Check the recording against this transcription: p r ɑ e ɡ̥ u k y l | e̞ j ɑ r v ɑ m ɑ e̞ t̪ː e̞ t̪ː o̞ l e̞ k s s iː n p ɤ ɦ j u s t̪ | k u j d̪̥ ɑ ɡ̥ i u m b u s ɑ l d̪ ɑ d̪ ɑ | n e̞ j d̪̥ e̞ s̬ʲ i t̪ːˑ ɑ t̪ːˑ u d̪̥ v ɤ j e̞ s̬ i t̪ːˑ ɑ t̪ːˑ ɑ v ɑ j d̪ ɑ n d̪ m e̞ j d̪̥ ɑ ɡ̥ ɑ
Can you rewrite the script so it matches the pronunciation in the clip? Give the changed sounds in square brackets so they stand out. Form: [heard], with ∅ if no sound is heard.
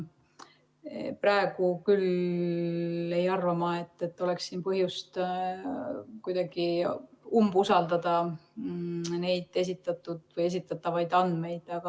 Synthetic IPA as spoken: p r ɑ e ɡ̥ u k y l | e̞ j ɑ r v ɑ m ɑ e̞ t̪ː e̞ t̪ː o̞ l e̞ k s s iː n p ɤ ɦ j u s t̪ | k u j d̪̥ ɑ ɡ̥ i u m b u s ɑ l d̪ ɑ d̪ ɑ | n e̞ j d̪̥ e̞ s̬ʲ i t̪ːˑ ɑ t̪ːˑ u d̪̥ v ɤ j e̞ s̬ i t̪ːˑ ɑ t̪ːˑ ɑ v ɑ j d̪ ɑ n d̪ m e̞ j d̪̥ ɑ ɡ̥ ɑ